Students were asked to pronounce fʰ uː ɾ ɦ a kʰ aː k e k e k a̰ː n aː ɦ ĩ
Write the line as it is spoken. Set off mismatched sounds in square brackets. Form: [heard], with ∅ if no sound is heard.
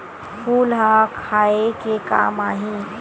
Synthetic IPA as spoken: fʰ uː [l] ɦ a kʰ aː [∅] e k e k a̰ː [m] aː ɦ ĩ

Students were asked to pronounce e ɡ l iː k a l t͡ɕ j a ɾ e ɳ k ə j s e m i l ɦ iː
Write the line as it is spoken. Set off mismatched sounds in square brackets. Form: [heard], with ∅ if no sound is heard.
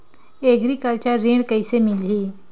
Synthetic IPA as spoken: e ɡ [ɾ] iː k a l t͡ɕ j a ɾ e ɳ k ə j s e m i l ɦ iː

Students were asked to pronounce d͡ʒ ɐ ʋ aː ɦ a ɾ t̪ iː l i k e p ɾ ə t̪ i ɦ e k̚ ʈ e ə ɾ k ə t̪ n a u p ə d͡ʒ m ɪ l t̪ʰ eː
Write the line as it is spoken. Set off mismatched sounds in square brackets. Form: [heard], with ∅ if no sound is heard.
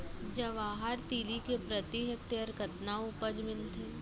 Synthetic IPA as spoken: d͡ʒ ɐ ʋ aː ɦ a ɾ t̪ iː l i k e p ɾ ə t̪ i ɦ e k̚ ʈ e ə ɾ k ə t̪ n a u p ə d͡ʒ m ɪ l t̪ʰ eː

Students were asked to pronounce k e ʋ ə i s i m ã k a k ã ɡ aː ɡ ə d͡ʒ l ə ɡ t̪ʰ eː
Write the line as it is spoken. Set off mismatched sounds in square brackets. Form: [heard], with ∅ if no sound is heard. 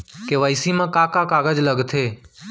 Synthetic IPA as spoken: k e ʋ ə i s i m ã k a k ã [k] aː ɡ ə d͡ʒ l ə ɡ t̪ʰ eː

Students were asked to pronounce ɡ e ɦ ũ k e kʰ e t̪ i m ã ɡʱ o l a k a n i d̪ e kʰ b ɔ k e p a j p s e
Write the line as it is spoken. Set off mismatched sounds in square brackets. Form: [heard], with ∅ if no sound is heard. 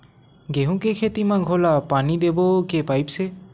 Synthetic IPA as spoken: ɡ e ɦ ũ k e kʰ e t̪ i m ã ɡʱ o l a [p] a n i d̪ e [∅] b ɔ k e p a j p s e

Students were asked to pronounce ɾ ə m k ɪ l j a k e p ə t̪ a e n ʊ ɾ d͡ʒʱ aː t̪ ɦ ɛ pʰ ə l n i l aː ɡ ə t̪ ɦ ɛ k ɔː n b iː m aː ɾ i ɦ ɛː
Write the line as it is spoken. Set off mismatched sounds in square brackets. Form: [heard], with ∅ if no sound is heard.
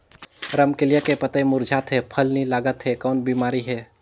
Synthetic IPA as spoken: ɾ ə m k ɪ l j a k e p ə t̪ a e [m] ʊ ɾ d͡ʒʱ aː t̪ ɦ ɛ pʰ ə l n i l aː ɡ ə t̪ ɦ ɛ k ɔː n b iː m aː ɾ i ɦ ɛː

